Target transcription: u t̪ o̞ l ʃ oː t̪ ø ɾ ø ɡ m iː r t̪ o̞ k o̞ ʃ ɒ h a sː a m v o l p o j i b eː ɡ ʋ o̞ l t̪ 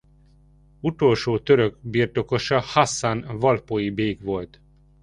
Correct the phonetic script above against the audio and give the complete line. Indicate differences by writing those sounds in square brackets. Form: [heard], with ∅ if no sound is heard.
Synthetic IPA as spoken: u t̪ o̞ l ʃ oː t̪ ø ɾ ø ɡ [b] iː r t̪ o̞ k o̞ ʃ ɒ h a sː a [n] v [ɒ] l p o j i b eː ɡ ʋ o̞ l t̪

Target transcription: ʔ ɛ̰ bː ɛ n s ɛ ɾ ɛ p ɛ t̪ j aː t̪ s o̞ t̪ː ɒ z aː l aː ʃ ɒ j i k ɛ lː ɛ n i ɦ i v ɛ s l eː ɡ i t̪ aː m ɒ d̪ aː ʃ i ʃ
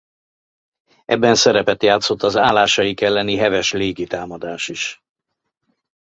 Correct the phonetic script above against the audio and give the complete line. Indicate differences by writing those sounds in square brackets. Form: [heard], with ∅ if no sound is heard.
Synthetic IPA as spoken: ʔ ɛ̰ bː ɛ n s ɛ ɾ ɛ p ɛ t̪ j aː t̪ s o̞ t̪ː ɒ z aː l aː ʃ ɒ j i k ɛ lː ɛ n i ɦ [ɛ] v ɛ [ʃ] l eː ɡ i t̪ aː m ɒ d̪ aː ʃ i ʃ

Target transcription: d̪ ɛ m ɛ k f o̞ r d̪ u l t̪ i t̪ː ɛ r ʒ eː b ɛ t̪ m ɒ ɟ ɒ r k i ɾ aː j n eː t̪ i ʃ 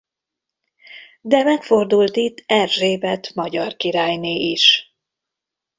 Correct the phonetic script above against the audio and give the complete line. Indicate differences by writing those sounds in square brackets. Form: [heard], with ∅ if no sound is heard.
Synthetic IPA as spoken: d̪ ɛ m ɛ k f o̞ r d̪ u l t̪ i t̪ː ɛ r ʒ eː b ɛ t̪ m ɒ ɟ ɒ r k i ɾ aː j n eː [∅] i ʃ

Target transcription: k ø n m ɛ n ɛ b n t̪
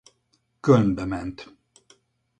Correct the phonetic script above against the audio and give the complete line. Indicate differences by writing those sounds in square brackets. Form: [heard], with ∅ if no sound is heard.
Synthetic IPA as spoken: k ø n [b] ɛ [m] ɛ [∅] n t̪

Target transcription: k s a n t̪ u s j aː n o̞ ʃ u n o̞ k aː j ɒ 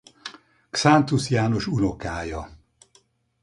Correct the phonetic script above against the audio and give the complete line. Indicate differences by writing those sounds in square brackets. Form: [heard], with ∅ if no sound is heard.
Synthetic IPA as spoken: k s a n t̪ u s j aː n o̞ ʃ u n o̞ k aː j ɒ

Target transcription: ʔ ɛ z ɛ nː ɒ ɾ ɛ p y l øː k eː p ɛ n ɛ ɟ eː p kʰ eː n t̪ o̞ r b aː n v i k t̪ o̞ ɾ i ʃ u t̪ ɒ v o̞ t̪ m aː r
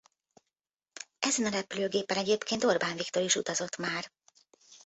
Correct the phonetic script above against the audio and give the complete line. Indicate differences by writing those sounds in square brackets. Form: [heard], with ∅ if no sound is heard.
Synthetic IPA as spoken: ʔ ɛ z ɛ [n] ɒ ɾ ɛ p y l øː [ɡ] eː p ɛ n ɛ ɟ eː p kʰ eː n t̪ o̞ r b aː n v i k t̪ o̞ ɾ i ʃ u t̪ ɒ [z] o̞ t̪ m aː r

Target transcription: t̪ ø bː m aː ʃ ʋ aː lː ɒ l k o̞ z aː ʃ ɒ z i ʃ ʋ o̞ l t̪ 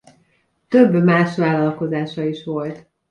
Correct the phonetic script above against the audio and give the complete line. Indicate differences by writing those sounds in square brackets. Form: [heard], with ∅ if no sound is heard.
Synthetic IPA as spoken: t̪ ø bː m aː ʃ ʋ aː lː ɒ l k o̞ z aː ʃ ɒ [∅] i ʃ ʋ o̞ l t̪

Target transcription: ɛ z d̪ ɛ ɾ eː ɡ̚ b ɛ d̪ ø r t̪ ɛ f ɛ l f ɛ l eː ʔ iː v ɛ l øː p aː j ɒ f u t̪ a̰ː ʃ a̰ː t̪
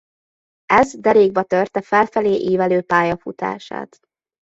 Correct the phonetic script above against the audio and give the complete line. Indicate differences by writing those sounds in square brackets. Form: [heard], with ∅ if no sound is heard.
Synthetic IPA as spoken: ɛ z d̪ ɛ ɾ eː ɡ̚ b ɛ [t̪] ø r t̪ ɛ f ɛ l f ɛ l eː ʔ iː v ɛ l øː p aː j ɒ f u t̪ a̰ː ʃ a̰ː t̪

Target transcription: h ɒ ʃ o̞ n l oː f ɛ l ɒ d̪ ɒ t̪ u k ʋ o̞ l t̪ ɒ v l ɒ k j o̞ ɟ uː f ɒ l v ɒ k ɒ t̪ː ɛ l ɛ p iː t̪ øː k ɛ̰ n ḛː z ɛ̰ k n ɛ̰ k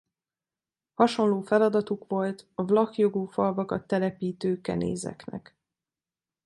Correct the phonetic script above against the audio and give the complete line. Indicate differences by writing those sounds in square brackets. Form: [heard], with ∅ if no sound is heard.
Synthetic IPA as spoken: h ɒ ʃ o̞ n l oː f ɛ l ɒ d̪ ɒ t̪ u k ʋ o̞ l t̪ ɒ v l ɒ k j o̞ [ɡ] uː f ɒ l v ɒ k ɒ t̪ː ɛ l ɛ p iː t̪ øː k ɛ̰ n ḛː z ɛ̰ k n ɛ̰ k

